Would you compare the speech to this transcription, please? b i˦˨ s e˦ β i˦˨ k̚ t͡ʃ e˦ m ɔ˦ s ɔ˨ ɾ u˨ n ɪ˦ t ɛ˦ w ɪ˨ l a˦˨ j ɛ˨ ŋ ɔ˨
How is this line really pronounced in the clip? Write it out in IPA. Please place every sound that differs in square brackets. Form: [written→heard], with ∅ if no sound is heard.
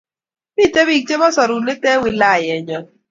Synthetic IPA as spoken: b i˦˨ [s→t] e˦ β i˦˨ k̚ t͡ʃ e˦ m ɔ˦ s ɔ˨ ɾ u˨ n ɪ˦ t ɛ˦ w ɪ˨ l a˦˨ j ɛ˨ [ŋ→ɲ] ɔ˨